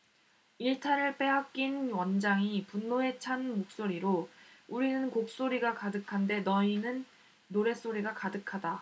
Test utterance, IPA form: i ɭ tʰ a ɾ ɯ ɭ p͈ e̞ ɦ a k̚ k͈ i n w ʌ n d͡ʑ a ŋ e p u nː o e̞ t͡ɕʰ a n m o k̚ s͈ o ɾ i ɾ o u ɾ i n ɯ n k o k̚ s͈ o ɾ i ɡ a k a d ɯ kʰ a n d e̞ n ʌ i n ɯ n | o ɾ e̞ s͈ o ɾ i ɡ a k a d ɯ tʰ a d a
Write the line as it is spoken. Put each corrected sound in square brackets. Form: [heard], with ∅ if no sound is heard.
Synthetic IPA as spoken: i ɭ tʰ a ɾ ɯ ɭ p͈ e̞ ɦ a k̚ k͈ i n w ʌ n d͡ʑ a ŋ [i] p u nː o e̞ t͡ɕʰ a n m o k̚ s͈ o ɾ i ɾ o u ɾ i n ɯ n k o k̚ s͈ o ɾ i ɡ a k a d ɯ kʰ a n d e̞ n ʌ i n ɯ [nː] | o ɾ e̞ s͈ o ɾ i ɡ a k a d ɯ [kʰ] a d a